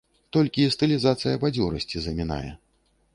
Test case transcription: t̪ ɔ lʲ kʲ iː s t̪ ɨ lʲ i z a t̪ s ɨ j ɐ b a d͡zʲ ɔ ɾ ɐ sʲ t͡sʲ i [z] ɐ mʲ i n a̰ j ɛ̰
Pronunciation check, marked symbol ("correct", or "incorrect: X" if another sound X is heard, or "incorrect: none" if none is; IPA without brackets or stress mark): correct